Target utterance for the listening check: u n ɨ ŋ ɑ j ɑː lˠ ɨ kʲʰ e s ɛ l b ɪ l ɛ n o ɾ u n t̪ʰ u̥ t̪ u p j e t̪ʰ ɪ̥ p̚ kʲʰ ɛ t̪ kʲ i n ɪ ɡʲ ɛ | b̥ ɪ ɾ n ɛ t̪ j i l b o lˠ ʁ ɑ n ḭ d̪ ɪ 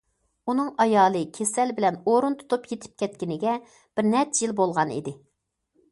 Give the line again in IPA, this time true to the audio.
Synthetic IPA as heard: u n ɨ ŋ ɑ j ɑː lˠ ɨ kʲʰ e s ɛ l b ɪ l ɛ n o ɾ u n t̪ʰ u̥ t̪ u p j e t̪ʰ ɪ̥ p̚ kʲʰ ɛ t̪ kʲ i n ɪ ɡʲ ɛ | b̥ ɪ ɾ n ɛ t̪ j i l b o lˠ ʁ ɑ n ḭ d̪ ɪ